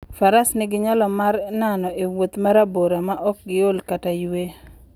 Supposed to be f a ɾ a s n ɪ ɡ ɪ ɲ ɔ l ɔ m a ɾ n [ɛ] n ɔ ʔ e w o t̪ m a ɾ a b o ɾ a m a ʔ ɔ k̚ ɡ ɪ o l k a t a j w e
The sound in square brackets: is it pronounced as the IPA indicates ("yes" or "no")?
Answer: no